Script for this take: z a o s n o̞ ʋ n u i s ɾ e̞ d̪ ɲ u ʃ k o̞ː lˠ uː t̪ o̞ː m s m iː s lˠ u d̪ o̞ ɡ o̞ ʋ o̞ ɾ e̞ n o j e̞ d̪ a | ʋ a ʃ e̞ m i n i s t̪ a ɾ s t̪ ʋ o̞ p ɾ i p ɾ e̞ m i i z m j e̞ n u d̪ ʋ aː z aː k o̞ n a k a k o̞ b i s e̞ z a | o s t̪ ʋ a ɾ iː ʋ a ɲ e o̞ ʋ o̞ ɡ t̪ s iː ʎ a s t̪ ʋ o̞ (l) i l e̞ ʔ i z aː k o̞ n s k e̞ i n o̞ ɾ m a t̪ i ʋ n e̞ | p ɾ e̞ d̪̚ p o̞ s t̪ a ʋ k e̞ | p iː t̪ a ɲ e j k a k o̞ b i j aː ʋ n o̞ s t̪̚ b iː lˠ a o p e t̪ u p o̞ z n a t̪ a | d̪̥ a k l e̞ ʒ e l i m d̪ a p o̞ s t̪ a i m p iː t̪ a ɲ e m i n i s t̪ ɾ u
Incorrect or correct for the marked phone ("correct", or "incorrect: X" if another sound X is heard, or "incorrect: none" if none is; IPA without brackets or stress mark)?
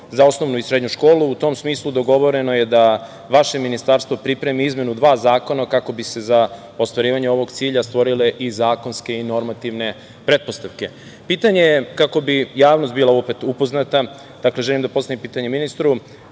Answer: incorrect: ɾ